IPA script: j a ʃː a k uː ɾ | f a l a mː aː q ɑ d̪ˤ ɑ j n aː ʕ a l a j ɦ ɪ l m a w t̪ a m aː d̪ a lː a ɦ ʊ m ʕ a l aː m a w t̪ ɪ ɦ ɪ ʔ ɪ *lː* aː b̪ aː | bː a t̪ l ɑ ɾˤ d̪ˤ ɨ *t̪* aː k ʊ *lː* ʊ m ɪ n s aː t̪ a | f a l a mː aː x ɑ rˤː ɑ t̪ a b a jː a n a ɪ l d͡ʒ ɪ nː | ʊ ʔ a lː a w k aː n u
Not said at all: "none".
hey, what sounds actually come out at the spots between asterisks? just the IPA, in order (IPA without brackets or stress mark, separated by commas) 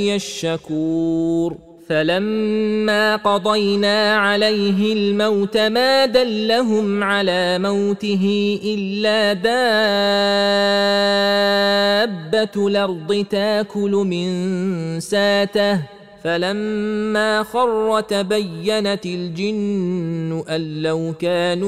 lː, t̪, l